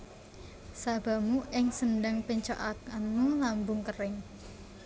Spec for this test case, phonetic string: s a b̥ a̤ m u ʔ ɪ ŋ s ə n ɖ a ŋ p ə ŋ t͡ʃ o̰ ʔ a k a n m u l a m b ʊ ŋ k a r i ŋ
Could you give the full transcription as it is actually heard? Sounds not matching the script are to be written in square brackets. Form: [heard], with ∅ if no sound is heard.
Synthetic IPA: s a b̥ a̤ m u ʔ ɪ ŋ s ə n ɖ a ŋ p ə [ɲ] t͡ʃ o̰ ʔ a k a n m u l a m b ʊ ŋ k [ə] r [ɪ] ŋ